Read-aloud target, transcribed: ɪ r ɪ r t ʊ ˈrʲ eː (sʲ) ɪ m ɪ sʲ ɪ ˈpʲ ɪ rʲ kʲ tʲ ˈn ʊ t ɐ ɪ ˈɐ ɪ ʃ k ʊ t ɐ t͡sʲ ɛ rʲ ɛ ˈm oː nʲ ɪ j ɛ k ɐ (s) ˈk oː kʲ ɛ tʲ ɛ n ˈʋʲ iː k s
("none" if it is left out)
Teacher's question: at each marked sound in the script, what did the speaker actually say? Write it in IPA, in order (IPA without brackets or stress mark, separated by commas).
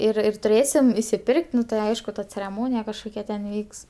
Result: sʲ, ʃ